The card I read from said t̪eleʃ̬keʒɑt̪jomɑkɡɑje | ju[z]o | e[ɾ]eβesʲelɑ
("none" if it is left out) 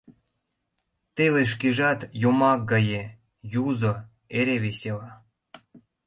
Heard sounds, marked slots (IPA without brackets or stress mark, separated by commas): z, ɾ